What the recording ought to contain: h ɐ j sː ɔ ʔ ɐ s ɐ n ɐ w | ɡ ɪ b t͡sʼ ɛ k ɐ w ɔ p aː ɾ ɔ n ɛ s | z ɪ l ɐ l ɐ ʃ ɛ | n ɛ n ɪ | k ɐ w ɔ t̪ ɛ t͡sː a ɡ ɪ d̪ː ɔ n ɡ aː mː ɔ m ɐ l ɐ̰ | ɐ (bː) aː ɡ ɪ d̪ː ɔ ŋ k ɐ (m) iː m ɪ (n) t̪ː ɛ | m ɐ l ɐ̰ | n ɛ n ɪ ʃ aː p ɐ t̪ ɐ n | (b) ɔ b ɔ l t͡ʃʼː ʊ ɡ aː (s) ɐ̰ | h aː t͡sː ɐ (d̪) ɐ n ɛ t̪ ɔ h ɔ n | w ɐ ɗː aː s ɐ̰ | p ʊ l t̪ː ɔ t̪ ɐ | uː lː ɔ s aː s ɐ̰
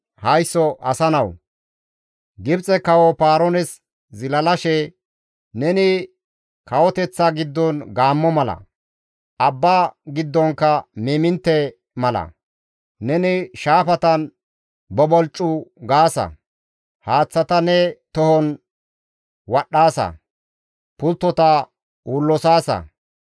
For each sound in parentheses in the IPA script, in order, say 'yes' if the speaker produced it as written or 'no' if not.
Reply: yes, yes, yes, yes, yes, no

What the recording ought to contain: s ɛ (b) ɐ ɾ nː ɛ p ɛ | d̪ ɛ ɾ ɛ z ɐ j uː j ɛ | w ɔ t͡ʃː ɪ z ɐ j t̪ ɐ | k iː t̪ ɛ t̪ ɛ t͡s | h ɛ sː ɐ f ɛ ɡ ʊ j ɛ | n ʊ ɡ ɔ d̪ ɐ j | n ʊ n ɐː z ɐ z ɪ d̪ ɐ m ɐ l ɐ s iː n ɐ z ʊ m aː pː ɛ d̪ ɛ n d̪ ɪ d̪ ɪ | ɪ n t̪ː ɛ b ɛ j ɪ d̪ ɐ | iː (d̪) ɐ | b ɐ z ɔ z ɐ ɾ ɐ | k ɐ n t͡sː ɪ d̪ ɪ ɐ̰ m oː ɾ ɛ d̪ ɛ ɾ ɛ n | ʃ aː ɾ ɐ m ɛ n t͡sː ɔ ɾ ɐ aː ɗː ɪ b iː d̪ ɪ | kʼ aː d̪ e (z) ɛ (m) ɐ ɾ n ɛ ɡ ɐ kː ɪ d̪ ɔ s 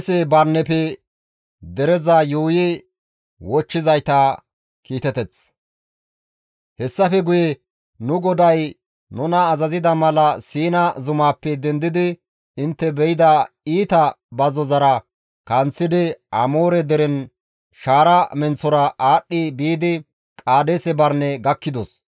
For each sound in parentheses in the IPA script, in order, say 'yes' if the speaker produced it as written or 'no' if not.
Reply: yes, no, no, no

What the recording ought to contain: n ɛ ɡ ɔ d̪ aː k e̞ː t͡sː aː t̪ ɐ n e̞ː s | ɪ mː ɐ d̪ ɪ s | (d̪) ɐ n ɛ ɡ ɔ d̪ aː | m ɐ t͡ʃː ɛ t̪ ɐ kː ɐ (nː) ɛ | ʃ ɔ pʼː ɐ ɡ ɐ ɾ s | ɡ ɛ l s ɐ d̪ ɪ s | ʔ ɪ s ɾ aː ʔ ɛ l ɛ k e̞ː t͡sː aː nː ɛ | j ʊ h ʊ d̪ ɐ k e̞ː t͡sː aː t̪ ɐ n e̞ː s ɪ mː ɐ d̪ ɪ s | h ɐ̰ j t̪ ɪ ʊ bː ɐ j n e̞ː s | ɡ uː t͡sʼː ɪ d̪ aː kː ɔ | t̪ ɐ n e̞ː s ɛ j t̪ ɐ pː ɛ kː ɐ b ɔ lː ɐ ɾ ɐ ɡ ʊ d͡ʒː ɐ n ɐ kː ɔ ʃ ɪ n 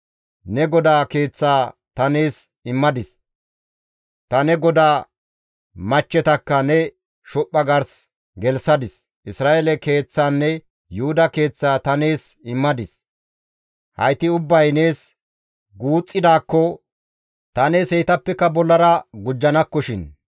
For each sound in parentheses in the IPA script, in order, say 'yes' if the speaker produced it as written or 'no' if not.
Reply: no, no

